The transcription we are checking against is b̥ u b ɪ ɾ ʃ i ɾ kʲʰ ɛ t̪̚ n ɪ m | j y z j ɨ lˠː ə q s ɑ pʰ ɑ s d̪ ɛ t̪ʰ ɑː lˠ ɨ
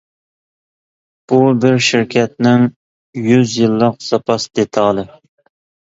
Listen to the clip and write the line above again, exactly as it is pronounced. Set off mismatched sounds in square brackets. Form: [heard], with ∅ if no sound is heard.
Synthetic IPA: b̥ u b ɪ ɾ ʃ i ɾ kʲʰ ɛ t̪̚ n ɪ [ŋ] | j y z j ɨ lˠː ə q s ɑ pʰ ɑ s d̪ [e] t̪ʰ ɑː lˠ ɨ